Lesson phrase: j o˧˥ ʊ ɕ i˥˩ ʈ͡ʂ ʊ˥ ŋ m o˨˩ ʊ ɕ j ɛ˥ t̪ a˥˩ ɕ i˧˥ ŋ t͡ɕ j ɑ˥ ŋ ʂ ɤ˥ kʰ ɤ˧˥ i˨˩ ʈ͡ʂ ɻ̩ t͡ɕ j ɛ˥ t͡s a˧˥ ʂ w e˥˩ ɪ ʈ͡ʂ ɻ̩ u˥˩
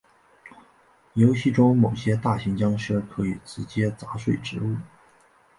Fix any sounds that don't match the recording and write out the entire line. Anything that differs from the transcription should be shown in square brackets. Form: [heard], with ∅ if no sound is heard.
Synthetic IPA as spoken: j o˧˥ ʊ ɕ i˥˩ ʈ͡ʂ ʊ˥ ŋ m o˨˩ ʊ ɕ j ɛ˥ t̪ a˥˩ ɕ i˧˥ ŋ t͡ɕ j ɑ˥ ŋ ʂ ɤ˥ kʰ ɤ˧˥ i˨˩ ʈ͡ʂ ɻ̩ t͡ɕ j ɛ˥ t͡s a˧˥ ʂ w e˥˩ ɪ ʈ͡ʂ ɻ̩ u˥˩